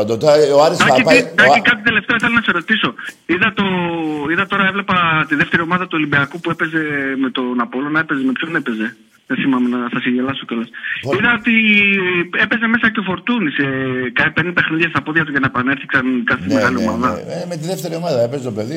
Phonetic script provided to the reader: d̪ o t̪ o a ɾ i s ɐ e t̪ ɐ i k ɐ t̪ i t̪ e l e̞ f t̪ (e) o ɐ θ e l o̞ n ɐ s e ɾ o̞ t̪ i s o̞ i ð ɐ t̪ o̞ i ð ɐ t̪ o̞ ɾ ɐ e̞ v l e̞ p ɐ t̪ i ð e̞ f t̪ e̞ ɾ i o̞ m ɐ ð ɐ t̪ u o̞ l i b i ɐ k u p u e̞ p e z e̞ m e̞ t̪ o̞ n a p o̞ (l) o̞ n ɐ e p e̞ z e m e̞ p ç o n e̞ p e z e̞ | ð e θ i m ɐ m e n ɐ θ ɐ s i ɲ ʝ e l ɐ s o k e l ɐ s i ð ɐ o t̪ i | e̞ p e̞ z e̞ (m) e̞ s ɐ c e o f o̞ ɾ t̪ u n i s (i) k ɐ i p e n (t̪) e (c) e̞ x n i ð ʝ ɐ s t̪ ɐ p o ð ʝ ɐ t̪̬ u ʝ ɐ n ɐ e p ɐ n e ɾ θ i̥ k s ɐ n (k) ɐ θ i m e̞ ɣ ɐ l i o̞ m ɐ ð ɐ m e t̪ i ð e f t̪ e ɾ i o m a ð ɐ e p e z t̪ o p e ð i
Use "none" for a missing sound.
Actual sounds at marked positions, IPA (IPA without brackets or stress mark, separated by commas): e, l, m, e, d̪, p, k